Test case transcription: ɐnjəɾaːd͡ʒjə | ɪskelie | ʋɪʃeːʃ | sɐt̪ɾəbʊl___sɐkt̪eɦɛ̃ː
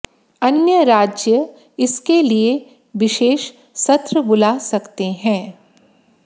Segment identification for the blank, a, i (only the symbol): a